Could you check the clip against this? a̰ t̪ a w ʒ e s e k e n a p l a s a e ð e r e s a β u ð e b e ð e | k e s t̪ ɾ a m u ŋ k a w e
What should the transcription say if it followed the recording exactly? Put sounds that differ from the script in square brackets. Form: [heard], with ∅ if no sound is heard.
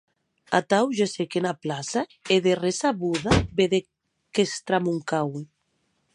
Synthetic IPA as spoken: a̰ t̪ a w ʒ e s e k e n a p l a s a e ð e r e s a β u ð [a] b e ð e | k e s t̪ ɾ a m u ŋ k a w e